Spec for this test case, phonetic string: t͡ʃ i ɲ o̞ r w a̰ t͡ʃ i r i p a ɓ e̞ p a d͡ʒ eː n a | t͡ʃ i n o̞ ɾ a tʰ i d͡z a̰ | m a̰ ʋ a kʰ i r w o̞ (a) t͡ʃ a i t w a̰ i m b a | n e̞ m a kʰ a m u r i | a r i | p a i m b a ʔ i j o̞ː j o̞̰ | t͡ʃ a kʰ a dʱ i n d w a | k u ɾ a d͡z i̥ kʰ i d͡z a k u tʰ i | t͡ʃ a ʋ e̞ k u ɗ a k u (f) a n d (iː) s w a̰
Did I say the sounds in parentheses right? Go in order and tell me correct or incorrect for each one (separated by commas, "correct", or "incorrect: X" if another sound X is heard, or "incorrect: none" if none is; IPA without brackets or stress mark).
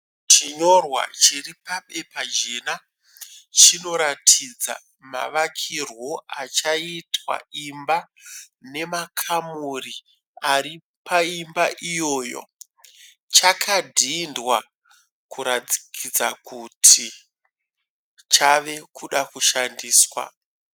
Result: correct, incorrect: ʃ, correct